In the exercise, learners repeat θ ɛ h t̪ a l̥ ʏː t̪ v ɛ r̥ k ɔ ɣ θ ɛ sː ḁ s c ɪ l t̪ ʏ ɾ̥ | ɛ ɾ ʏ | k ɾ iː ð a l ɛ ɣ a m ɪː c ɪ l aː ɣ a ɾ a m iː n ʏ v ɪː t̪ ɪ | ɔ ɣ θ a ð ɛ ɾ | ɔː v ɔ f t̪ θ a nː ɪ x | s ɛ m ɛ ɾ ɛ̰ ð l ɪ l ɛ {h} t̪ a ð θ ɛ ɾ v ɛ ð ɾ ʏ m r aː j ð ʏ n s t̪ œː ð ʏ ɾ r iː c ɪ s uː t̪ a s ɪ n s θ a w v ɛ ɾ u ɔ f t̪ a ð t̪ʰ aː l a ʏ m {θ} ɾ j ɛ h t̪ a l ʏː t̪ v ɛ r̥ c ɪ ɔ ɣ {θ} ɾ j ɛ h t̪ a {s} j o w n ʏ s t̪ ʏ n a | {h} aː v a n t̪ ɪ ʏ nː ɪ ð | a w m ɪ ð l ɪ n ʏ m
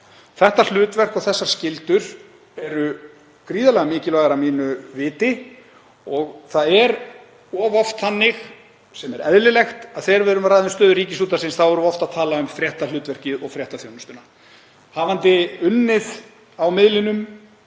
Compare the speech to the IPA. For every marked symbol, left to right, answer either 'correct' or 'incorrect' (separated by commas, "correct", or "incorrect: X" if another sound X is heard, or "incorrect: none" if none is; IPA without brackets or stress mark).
incorrect: x, incorrect: f, incorrect: f, incorrect: θ, correct